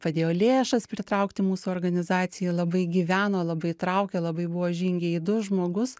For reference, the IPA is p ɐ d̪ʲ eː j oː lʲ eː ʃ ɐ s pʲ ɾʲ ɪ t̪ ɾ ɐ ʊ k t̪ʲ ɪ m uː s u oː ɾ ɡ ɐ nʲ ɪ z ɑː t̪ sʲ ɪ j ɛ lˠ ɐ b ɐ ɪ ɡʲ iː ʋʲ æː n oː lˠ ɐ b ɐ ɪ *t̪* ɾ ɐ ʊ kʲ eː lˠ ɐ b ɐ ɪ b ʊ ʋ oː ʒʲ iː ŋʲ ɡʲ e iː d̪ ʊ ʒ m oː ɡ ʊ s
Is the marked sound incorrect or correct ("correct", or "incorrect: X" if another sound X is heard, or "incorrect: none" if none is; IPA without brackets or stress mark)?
correct